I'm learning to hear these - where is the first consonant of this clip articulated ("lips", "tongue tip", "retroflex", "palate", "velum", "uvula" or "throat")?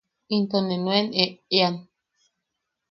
tongue tip